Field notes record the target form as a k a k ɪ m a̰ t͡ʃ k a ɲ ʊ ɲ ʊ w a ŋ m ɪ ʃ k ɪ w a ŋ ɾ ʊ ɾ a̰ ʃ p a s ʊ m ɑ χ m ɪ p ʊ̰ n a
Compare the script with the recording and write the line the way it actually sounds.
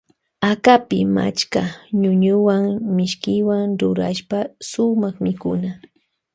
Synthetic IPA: a k a p ɪ m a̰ t͡ʃ k a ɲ ʊ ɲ ʊ w a ŋ m ɪ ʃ k ɪ w a ŋ ɾ ʊ ɾ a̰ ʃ p a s ʊ m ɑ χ m ɪ k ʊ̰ n a